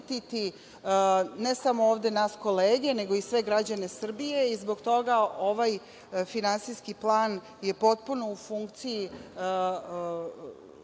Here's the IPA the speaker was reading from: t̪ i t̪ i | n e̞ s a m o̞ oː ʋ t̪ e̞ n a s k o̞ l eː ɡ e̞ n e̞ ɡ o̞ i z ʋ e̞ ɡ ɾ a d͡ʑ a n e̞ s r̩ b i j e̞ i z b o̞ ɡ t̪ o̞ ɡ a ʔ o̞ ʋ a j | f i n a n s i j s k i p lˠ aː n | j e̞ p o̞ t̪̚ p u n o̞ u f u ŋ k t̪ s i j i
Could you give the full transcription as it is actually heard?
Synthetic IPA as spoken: t̪ i t̪ i | n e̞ s a m o̞ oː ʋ d̪ e̞ n a s k o̞ l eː ɡ e̞ n e̞ ɡ o̞ i s ʋ e̞ ɡ ɾ a d͡ʑ a n e̞ s r̩ b i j e̞ i z b o̞ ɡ t̪ o̞ ɡ a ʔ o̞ ʋ a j | f i n a n s i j s k i p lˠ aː n | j e̞ p o̞ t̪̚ p u n o̞ u f u ŋ k t̪ s i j i